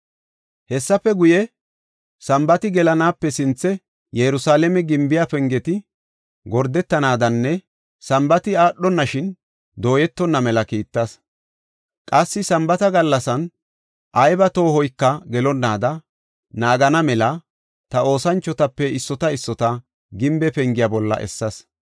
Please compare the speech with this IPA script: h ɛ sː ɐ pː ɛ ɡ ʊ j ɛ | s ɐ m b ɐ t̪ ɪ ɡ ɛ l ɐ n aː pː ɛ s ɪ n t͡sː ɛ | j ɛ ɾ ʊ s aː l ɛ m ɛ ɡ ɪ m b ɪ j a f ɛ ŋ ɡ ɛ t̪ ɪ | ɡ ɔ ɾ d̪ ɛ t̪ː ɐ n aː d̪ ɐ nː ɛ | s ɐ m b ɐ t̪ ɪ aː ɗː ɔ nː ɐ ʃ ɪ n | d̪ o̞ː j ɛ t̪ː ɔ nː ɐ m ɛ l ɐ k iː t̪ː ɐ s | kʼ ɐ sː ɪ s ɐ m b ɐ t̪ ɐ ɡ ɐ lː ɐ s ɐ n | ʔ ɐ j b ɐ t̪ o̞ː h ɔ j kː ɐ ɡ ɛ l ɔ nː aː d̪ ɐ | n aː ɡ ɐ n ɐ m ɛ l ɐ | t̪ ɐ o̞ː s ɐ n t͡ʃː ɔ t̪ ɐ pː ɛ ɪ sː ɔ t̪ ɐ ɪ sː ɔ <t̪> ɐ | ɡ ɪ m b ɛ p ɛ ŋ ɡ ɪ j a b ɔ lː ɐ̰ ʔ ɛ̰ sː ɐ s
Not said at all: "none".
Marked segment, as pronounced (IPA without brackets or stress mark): t̪